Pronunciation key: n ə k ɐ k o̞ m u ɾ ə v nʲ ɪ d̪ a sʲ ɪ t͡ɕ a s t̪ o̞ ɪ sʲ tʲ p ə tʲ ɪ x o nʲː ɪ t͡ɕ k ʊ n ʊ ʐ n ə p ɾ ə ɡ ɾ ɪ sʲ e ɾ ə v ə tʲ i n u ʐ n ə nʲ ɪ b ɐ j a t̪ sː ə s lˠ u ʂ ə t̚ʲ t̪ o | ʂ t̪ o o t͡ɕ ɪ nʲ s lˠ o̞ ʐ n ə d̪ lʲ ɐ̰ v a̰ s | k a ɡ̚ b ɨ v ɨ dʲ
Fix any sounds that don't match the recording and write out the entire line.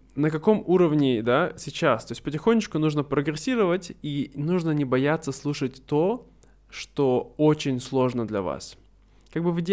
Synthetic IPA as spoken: n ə k ɐ k o̞ m u ɾ ə v nʲ ɪ d̪ a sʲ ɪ t͡ɕ a s t̪ o̞ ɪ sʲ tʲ p ə tʲ ɪ x o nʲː ɪ t͡ɕ k ʊ n u ʐ n ə p ɾ ə ɡ ɾ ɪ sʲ i ɾ ə v ə tʲ i n u ʐ n ə nʲ ɪ b ɐ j a t̪ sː ə s lˠ u ʂ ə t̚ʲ t̪ o | ʂ t̪ o o t͡ɕ ɪ nʲ s lˠ o̞ ʐ n ə d̪ lʲ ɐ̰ v a̰ s | k a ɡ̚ b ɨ v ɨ dʲ